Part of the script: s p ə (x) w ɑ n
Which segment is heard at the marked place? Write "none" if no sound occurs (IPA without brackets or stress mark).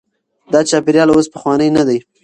x